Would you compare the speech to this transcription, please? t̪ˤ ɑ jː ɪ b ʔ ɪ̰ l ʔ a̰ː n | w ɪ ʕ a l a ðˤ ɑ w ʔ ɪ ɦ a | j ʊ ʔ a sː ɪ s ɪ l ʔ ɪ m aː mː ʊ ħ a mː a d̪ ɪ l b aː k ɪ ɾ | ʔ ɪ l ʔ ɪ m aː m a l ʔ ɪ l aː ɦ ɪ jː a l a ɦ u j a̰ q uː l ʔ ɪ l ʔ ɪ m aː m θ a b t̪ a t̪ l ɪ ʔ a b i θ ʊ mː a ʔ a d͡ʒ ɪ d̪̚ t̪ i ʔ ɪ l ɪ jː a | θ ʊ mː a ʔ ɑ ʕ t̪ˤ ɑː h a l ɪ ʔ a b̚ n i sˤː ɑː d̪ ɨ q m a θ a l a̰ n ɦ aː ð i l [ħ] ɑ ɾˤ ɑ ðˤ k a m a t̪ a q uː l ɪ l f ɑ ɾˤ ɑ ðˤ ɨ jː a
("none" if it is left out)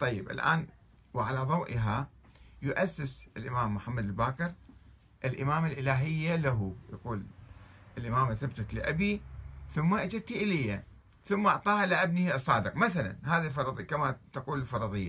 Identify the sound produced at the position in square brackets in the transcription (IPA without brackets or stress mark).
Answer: f